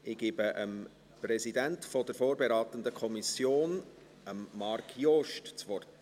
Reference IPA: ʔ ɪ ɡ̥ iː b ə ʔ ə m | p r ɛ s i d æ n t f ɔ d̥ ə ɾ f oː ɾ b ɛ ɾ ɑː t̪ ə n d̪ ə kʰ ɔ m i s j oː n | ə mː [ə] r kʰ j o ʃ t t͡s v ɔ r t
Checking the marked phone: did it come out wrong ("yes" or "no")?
yes